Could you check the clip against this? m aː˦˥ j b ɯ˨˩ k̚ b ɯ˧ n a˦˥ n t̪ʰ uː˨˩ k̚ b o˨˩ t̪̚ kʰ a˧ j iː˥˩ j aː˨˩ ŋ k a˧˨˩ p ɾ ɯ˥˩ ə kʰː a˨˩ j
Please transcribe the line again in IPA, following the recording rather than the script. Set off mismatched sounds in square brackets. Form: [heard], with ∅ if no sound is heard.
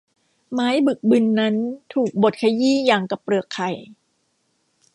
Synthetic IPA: m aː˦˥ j b ɯ˨˩ k̚ b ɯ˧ [nː] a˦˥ n t̪ʰ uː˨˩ k̚ b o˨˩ t̪̚ kʰ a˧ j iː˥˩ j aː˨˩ ŋ k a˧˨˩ p ɾ [ɯ˨˩] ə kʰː a˨˩ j

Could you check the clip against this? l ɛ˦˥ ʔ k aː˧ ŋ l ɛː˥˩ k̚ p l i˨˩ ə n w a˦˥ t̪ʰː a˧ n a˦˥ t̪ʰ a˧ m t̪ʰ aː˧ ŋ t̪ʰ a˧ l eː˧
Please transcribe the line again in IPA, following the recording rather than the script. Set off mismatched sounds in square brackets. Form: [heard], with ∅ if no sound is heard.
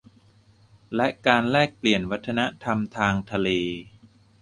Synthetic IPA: l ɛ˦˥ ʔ k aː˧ [n] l ɛː˥˩ k̚ p l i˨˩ ə n w a˦˥ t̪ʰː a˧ n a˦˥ t̪ʰ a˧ m t̪ʰ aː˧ ŋ t̪ʰ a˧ l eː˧

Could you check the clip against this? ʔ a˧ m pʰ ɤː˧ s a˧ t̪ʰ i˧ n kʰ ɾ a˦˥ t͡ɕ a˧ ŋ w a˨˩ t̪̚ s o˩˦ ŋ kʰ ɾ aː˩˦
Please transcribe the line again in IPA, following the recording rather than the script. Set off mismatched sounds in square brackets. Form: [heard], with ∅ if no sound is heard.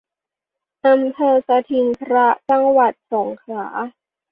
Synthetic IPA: ʔ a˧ m pʰ ɤː˧ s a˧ t̪ʰ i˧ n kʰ ɾ a˦˥ t͡ɕ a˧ ŋ w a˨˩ t̪̚ s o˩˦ ŋ kʰ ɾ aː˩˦

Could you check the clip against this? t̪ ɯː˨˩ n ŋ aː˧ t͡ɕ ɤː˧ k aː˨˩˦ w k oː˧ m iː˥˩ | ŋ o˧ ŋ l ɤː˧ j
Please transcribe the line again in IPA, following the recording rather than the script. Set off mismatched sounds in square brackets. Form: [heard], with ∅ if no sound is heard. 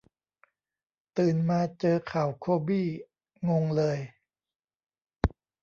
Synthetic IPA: t̪ ɯː˨˩ n [m] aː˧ t͡ɕ ɤː˧ [kʰ] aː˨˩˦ w [kʰ] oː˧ [b] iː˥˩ | ŋ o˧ ŋ l ɤː˧ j

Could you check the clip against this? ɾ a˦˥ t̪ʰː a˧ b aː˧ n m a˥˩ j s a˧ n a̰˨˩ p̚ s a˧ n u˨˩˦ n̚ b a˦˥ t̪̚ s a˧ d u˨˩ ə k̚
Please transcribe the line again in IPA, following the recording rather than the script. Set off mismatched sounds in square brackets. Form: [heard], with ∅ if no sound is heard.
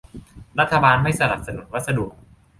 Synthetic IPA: ɾ a˦˥ t̪ʰː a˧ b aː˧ n m a˥˩ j s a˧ n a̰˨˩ p̚ s a˧ n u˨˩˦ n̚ [w] a˦˥ t̪̚ s a˧ d u˨˩ ə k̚

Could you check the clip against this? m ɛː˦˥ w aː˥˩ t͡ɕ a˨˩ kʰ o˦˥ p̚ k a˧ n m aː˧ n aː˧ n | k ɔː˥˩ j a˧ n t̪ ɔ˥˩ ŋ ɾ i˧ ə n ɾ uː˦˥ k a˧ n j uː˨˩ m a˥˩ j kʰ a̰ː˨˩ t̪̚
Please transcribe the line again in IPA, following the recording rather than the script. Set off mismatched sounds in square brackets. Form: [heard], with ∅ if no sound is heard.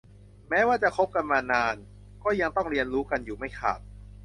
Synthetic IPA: m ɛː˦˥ w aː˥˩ t͡ɕ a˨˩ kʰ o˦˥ p̚ k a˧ n m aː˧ n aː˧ n | k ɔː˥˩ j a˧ [ŋ] t̪ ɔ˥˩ ŋ ɾ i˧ ə n ɾ uː˦˥ k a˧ n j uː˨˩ m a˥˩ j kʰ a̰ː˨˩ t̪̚

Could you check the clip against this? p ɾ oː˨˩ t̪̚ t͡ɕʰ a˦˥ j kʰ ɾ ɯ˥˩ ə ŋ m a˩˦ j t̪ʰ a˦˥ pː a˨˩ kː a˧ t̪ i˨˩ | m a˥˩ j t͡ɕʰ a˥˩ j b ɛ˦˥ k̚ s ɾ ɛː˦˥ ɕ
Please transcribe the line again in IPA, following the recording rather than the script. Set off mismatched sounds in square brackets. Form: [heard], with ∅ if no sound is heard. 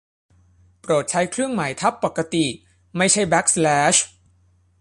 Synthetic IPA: p ɾ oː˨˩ t̪̚ t͡ɕʰ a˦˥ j kʰ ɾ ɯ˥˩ ə ŋ m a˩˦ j t̪ʰ a˦˥ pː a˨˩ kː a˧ t̪ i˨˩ | m a˥˩ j t͡ɕʰ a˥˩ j b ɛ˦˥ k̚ s [l] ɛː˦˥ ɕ

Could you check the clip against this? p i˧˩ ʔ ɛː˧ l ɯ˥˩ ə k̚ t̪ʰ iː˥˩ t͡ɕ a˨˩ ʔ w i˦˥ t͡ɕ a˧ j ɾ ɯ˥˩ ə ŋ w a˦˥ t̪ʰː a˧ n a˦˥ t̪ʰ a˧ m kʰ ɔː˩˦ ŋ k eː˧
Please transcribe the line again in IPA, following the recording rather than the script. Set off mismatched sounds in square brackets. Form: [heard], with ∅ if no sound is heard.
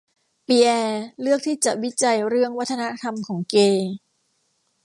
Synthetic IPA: p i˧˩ ʔ ɛː˧ l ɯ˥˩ ə k̚ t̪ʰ iː˥˩ t͡ɕ a˨˩ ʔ w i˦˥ t͡ɕ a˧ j ɾ ɯ˥˩ ə ŋ w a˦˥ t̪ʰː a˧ n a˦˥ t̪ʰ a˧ m kʰ ɔː˩˦ ŋ k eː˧

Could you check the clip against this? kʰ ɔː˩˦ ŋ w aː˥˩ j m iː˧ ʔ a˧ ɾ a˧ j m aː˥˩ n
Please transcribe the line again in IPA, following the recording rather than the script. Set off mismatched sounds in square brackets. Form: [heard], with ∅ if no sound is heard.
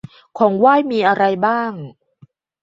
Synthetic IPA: kʰ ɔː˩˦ ŋ w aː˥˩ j m iː˧ ʔ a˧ ɾ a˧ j [b] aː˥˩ [ŋ]

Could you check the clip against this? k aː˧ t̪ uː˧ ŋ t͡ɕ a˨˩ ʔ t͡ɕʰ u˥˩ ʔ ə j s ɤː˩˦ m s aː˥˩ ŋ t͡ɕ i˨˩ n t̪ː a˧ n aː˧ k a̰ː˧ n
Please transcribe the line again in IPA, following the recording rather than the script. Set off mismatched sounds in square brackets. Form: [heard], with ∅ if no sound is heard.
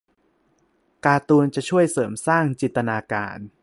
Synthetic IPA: k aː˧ t̪ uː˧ [n] t͡ɕ a˨˩ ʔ t͡ɕʰ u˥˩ [∅] ə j s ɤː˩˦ m s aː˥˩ ŋ t͡ɕ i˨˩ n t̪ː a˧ n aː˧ k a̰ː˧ n

